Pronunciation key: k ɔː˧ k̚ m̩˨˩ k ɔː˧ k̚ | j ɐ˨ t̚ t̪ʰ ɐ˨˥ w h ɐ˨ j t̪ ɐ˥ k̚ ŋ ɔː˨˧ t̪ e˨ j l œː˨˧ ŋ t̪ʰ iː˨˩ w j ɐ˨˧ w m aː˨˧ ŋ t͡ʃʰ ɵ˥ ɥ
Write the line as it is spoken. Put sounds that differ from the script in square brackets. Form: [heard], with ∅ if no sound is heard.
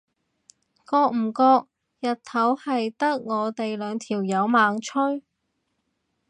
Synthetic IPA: k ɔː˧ k̚ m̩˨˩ k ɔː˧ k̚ | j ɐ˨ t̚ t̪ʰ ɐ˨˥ w h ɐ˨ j t̪ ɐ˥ k̚ ŋ ɔː˨˧ t̪ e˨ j l œː˨˧ ŋ t̪ʰ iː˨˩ w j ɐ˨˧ w m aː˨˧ ŋ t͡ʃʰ ɵ˥ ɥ